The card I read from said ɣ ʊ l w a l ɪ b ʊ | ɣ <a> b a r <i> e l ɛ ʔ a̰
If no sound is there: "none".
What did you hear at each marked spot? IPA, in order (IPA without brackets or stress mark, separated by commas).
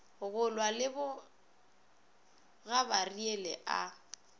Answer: a, i